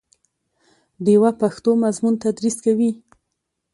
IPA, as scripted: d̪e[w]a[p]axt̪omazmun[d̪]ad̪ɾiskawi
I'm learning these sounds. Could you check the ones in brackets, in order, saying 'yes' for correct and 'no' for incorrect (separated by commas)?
yes, yes, no